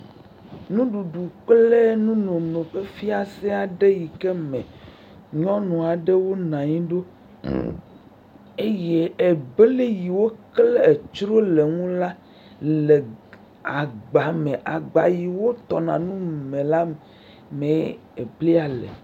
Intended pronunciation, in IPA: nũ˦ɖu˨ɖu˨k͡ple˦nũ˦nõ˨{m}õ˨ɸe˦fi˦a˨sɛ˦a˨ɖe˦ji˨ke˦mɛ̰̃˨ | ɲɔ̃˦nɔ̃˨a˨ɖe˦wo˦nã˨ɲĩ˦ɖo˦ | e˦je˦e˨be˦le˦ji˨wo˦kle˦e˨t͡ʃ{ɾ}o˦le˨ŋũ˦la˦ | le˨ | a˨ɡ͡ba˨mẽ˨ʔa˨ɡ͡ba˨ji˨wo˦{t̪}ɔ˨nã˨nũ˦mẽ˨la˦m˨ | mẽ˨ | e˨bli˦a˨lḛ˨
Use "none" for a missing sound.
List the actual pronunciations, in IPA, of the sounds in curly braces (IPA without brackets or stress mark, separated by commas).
n, ɾ, t̪